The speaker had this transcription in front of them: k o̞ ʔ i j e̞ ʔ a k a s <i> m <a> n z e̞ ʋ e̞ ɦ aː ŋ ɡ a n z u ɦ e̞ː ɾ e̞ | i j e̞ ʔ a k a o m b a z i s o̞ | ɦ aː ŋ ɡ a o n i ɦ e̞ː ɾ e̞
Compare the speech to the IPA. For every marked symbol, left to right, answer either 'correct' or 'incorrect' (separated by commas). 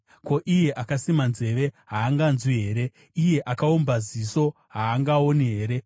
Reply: correct, correct